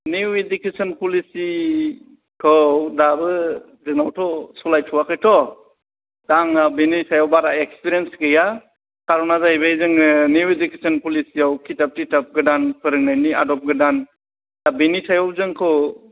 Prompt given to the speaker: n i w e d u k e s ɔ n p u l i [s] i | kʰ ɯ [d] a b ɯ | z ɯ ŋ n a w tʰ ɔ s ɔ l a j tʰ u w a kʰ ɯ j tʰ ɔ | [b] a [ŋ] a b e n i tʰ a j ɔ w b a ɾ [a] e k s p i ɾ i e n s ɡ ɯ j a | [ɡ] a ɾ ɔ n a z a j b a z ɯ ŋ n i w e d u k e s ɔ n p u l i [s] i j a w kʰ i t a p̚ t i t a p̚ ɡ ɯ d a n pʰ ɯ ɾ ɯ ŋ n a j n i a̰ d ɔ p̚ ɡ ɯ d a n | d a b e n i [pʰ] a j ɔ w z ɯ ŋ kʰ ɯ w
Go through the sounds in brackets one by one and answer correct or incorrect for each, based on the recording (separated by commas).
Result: correct, correct, incorrect, correct, correct, incorrect, correct, incorrect